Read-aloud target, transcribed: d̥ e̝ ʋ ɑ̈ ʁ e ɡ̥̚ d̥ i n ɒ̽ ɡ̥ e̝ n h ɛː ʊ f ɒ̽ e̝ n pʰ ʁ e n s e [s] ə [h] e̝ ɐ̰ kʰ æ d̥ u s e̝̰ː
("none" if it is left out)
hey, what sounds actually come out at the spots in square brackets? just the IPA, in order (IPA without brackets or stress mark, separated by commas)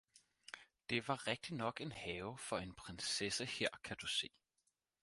s, h